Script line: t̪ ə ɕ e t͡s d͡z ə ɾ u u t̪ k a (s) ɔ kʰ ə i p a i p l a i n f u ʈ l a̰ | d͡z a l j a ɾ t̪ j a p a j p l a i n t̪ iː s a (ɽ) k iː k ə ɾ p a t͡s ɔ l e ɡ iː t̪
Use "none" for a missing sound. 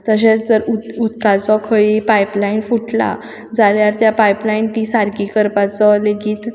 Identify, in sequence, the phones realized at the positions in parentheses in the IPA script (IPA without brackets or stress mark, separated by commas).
t͡s, ɾ